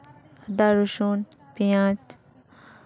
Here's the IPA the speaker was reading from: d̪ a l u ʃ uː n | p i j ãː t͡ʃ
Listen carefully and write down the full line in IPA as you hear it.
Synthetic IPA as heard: d̪ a ɾ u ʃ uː n | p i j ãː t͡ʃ